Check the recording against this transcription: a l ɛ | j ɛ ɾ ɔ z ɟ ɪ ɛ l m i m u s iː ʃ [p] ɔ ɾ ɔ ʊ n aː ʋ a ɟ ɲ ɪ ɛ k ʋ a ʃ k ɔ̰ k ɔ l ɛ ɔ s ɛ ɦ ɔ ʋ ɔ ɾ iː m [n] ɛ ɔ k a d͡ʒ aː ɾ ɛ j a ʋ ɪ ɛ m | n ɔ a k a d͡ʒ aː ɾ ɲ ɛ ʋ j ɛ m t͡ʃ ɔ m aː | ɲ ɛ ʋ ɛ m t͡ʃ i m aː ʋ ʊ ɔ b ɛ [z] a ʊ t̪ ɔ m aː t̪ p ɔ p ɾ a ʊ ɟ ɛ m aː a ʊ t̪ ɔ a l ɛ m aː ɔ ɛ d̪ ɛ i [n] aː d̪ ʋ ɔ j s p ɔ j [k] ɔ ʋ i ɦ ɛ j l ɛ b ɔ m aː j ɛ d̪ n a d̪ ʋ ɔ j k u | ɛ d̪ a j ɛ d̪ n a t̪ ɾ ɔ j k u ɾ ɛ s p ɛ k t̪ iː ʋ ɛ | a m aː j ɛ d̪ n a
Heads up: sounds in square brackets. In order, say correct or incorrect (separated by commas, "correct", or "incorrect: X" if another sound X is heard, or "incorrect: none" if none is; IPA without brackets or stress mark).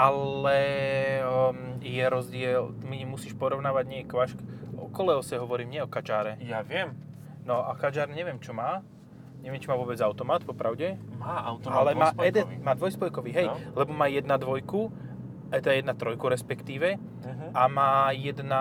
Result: correct, incorrect: ɲ, incorrect: d͡z, incorrect: m, correct